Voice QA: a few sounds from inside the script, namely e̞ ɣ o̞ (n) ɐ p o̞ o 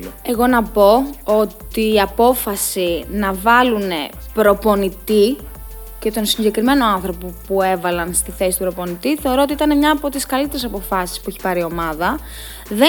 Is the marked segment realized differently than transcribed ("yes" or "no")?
no